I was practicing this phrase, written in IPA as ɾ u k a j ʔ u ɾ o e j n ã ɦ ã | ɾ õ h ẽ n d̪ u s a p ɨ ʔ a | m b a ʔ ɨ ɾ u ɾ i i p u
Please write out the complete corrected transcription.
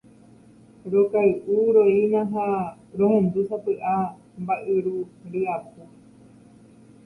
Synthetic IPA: ɾ o k a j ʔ u ɾ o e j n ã ɦ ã | ɾ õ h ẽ n d̪ u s a p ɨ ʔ a | m b a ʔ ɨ ɾ u ɾ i a p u